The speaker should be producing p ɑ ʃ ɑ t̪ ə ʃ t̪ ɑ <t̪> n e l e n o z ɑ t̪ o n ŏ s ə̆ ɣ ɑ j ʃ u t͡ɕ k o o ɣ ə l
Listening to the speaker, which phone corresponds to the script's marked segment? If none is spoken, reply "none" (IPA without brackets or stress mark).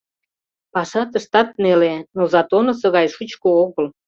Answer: t̪